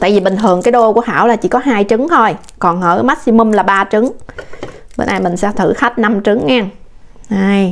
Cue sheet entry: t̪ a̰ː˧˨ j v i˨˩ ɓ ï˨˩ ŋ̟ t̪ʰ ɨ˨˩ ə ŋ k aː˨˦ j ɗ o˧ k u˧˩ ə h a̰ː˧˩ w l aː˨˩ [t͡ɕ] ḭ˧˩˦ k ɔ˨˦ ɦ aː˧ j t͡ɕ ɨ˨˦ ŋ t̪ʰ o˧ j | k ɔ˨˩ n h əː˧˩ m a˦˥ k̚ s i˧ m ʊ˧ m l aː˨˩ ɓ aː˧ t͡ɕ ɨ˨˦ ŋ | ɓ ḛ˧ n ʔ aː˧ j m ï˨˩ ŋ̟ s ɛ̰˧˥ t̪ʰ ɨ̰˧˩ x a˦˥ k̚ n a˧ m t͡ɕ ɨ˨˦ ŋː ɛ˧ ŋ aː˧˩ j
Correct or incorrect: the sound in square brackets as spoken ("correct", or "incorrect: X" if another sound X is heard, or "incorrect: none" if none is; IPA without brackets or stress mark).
correct